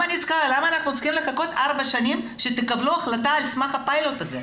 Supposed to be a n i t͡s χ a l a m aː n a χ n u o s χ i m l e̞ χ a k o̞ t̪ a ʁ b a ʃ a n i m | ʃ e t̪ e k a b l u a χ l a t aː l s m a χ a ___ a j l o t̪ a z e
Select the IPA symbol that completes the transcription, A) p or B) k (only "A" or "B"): A